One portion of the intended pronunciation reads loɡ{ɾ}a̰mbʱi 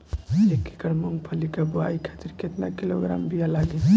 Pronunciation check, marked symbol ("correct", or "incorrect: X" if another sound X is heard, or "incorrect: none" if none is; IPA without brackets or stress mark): correct